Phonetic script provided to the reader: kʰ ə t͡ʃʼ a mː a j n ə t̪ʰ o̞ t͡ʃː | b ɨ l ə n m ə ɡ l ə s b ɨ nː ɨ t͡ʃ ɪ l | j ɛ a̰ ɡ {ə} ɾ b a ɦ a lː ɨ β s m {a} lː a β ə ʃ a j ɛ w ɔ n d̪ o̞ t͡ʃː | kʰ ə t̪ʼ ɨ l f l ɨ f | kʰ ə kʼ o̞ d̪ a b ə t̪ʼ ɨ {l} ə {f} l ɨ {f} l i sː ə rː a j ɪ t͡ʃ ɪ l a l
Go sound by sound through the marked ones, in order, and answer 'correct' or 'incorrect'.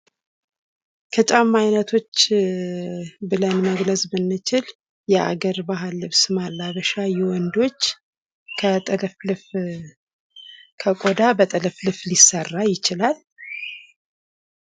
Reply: correct, correct, correct, correct, correct

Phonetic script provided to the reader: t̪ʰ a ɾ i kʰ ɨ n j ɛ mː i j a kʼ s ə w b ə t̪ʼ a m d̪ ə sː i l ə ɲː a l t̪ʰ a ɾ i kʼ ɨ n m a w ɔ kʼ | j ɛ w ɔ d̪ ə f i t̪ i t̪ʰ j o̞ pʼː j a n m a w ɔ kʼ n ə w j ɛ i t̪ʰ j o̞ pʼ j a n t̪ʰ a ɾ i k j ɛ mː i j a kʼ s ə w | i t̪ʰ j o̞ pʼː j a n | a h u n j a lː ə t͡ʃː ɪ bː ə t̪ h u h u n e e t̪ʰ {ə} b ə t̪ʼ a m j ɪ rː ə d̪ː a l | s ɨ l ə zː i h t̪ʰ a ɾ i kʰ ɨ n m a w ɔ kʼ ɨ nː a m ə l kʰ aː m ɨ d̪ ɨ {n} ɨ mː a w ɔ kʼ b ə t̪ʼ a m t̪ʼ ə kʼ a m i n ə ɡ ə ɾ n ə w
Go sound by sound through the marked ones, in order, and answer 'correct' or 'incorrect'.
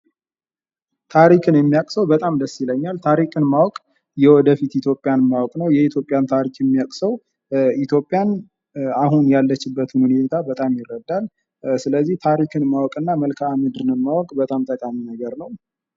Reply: incorrect: a, correct

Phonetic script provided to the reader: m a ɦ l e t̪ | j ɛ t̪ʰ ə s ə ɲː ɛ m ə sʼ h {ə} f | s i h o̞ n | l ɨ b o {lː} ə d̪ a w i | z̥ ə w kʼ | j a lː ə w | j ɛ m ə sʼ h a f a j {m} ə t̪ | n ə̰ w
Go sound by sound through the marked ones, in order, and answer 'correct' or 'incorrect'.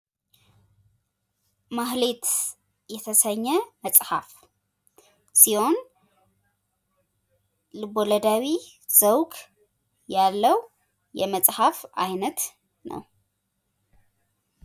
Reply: incorrect: a, incorrect: l, incorrect: n

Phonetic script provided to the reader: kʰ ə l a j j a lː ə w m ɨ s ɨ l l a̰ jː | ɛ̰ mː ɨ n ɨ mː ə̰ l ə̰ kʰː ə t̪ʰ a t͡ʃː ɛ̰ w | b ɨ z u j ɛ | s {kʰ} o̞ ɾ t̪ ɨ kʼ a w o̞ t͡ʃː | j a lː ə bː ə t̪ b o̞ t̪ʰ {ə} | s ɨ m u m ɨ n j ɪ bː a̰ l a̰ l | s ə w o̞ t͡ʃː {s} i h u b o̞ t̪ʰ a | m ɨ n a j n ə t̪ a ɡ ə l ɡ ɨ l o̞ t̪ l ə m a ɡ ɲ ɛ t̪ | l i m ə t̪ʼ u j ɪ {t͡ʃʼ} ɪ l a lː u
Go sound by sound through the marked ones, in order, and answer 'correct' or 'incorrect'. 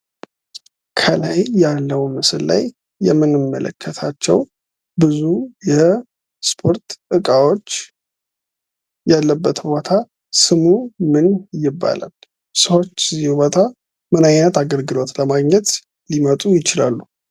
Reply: incorrect: pʰ, incorrect: a, incorrect: z, incorrect: t͡ʃ

